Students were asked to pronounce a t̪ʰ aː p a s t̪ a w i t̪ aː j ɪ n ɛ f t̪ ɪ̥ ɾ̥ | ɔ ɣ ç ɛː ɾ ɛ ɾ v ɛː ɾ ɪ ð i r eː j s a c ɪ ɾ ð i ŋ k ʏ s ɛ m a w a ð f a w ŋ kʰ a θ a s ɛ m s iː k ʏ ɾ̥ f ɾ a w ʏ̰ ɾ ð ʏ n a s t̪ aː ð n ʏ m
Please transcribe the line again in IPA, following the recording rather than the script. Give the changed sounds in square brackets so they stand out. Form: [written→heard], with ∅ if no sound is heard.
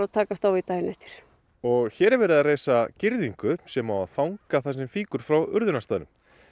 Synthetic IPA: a t̪ʰ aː [p→k] a s t̪ a w i t̪ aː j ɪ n ɛ f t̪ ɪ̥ ɾ̥ | ɔ ɣ ç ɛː ɾ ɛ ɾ v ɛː ɾ ɪ ð [i→a] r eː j s a c ɪ ɾ ð i ŋ k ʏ s ɛ m a w a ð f a w ŋ [kʰ→k] a θ a s ɛ m [s→f] iː k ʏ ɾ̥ f ɾ a w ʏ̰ ɾ ð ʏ n a s t̪ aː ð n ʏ m

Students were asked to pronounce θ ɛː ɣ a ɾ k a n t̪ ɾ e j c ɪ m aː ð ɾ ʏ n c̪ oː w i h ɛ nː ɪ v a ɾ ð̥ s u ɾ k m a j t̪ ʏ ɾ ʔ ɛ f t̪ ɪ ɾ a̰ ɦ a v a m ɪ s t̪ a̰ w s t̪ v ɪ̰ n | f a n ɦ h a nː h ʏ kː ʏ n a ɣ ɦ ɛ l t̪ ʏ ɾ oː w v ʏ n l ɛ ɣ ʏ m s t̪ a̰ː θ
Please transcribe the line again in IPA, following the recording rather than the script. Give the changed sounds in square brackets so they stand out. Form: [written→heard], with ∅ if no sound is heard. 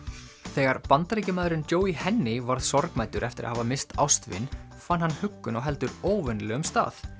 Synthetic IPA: θ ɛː ɣ a ɾ [k→p] a n t̪ ɾ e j c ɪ m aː ð ɾ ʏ n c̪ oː w i h ɛ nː ɪ v a ɾ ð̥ s [u→ɔ] ɾ k m a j t̪ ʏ ɾ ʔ ɛ f t̪ ɪ ɾ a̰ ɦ a v a m ɪ s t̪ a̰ w s t̪ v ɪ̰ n | f a n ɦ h a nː h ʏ kː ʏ n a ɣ ɦ ɛ l t̪ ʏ ɾ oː w v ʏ n l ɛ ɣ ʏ m s t̪ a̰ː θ

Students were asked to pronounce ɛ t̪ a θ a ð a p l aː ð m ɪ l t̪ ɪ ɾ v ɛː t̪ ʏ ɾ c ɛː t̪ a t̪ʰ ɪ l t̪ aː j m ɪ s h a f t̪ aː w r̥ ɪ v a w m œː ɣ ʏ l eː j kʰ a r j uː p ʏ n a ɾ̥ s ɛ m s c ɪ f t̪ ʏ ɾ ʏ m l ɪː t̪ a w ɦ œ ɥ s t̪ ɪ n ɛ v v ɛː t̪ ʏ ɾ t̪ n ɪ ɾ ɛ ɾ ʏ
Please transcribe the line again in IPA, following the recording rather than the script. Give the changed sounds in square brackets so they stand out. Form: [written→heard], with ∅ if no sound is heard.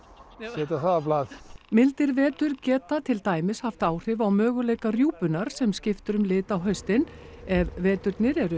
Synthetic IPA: ɛ t̪ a θ a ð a p l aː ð m ɪ l t̪ ɪ ɾ v ɛː t̪ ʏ ɾ c ɛː t̪ a t̪ʰ ɪ l t̪ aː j m ɪ s h a f t̪ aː w r̥ ɪ v a w m œː ɣ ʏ l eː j [kʰ→k] a r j uː p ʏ n a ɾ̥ s ɛ m s c ɪ f t̪ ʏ ɾ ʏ m l ɪː t̪ a w ɦ œ ɥ s t̪ ɪ n ɛ v v ɛː t̪ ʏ ɾ t̪ n ɪ ɾ ɛ ɾ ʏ

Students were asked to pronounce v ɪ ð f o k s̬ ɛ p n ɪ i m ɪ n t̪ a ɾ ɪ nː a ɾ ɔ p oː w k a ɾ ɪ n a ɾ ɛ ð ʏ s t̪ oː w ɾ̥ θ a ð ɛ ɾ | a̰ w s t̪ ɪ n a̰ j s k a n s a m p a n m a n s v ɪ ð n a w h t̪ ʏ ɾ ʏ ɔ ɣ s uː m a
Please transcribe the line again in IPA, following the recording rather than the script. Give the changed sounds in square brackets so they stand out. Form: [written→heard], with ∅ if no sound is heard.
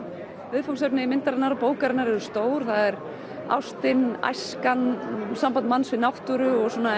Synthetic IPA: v ɪ ð f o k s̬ ɛ p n ɪ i m ɪ n t̪ a ɾ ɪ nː a ɾ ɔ p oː w k a ɾ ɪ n a ɾ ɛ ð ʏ s t̪ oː w ɾ̥ θ a ð ɛ ɾ | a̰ w s t̪ ɪ n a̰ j s k a n s a m p a n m a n s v ɪ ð n a w h t̪ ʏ ɾ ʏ ɔ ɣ s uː [m→n] a

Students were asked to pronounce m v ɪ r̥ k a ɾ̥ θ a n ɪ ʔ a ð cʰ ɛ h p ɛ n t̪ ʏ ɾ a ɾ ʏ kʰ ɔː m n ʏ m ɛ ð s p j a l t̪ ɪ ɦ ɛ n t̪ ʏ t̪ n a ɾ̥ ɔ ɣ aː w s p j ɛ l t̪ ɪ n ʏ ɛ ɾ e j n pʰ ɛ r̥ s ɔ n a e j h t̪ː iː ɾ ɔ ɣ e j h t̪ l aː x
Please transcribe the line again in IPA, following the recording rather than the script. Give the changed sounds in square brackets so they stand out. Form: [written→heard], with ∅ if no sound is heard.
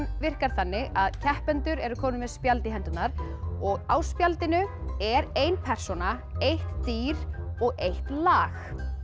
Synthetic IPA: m v ɪ r̥ k a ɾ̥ θ a [n→nː] ɪ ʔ a ð cʰ ɛ h p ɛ n t̪ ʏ ɾ [a→ɛ] ɾ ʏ kʰ ɔː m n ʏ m ɛ ð s p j a l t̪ ɪ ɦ ɛ n t̪ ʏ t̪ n a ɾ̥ ɔ ɣ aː w s p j [ɛ→a] l t̪ ɪ n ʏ ɛ ɾ e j n pʰ ɛ r̥ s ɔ n a e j h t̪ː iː ɾ ɔ ɣ e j h t̪ l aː x

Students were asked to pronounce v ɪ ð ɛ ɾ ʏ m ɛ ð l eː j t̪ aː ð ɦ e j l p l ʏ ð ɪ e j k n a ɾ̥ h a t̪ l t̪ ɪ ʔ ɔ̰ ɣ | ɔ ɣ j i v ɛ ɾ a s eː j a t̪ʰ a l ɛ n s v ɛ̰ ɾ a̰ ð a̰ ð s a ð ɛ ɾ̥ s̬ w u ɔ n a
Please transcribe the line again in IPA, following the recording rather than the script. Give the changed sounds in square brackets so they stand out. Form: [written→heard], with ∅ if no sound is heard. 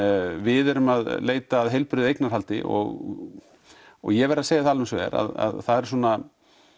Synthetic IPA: v ɪ ð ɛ ɾ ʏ m [ɛ→a] ð l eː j t̪ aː ð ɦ e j l p [l→ɾ] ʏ ð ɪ e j k n a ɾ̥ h a [t̪→∅] l t̪ ɪ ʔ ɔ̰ ɣ | ɔ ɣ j [i→ɛ] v ɛ ɾ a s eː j a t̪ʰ a l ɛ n s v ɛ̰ ɾ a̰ ð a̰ ð [s→θ] a ð ɛ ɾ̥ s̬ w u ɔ n a

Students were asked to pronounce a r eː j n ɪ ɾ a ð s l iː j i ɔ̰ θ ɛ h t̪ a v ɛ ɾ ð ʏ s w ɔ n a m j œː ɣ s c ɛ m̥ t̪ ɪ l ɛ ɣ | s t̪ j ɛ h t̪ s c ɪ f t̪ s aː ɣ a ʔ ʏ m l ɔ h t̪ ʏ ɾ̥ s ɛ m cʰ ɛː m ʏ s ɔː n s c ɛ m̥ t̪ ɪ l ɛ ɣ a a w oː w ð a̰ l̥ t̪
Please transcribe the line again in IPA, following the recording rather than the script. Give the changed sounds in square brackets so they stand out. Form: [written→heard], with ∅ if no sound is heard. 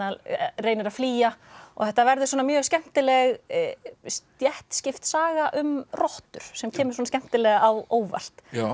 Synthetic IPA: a r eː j n ɪ ɾ a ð [s→f] l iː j [i→a] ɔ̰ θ ɛ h t̪ a v ɛ ɾ ð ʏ s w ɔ n a m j œː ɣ s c ɛ m̥ t̪ ɪ l ɛ ɣ | s t̪ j ɛ h t̪ s c ɪ f t̪ s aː ɣ a ʔ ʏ m [l→r] ɔ h t̪ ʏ ɾ̥ s ɛ m cʰ ɛː m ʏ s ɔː n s c ɛ m̥ t̪ ɪ l ɛ ɣ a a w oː w [ð→v] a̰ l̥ t̪

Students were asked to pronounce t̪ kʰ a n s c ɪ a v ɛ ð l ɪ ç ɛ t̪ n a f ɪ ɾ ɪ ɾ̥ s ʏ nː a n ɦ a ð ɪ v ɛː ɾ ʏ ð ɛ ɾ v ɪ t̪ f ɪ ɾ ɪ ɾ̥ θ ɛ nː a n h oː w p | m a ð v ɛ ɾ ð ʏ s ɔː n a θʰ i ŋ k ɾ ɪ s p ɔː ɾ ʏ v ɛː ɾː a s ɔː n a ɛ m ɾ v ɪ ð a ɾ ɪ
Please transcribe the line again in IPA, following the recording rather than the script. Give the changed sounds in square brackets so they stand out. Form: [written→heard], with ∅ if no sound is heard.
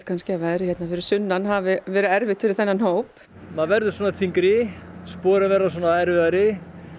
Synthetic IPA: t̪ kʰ a n s c ɪ a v ɛ ð [l→ɾ] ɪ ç ɛ t̪ n a f ɪ ɾ ɪ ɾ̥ s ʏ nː a n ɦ a [ð→v] ɪ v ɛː ɾ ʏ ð ɛ ɾ v ɪ t̪ f ɪ ɾ ɪ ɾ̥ θ ɛ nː a n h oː w p | m a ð v ɛ ɾ ð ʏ s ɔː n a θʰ i ŋ k ɾ ɪ s p ɔː ɾ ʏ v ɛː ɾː a s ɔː n a ɛ [m→∅] ɾ v ɪ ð a ɾ ɪ

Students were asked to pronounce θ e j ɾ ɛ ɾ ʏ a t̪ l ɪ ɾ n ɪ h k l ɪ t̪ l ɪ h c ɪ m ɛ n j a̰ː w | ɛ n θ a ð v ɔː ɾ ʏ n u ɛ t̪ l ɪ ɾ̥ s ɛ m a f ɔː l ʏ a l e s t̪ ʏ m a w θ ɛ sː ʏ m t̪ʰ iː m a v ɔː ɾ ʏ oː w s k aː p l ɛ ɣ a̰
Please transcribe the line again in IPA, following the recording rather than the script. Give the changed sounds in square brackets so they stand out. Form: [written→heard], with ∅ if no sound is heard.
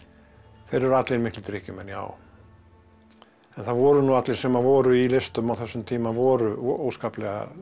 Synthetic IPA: θ e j ɾ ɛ ɾ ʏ a t̪ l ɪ ɾ [n→m] ɪ h k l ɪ t̪ [l→ɾ] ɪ h c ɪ m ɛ n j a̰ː w | ɛ n θ a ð v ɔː ɾ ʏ n u [ɛ→a] t̪ l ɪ ɾ̥ s ɛ m a [f→v] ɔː [l→ɾ] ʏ [a→i] l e s t̪ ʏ m a w θ ɛ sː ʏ m t̪ʰ iː m a v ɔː ɾ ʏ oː w s k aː p l ɛ ɣ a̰

